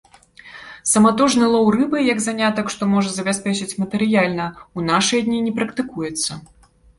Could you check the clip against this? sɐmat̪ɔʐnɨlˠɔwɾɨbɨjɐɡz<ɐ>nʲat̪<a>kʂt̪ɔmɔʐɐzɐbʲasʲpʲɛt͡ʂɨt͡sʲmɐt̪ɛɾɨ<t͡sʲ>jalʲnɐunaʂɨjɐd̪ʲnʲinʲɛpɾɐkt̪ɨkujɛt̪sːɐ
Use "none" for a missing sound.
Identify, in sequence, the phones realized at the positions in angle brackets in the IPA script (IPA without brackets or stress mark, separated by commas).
a, ɐ, none